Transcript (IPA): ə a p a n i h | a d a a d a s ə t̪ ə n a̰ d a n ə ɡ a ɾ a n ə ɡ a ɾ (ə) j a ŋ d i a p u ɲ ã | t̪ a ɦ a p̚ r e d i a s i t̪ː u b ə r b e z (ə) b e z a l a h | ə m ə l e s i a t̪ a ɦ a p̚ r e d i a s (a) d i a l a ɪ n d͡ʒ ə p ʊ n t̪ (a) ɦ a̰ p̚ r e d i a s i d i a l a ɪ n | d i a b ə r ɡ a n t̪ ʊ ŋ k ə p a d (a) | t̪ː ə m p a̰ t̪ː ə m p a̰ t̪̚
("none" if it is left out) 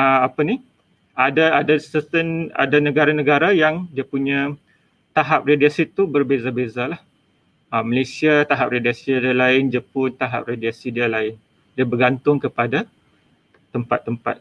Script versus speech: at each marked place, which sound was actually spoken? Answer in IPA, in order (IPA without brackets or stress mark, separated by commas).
a, a, i, a, a